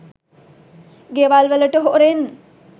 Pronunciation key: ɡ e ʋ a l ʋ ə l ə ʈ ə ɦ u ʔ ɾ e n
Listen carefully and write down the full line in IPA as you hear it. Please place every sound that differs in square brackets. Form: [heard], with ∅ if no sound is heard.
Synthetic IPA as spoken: ɡ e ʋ a l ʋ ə l ə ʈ ə ɦ [o] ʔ ɾ e n